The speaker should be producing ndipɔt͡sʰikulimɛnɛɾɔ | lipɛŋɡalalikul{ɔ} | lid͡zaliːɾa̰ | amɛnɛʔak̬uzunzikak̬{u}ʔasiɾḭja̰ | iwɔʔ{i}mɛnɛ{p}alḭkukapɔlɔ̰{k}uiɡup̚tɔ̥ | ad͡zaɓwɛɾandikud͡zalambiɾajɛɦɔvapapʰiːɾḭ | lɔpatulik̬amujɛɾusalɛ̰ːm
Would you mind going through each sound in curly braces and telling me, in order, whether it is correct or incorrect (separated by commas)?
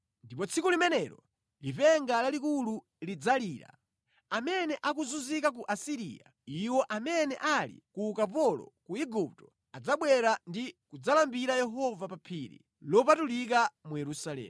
incorrect, correct, incorrect, incorrect, correct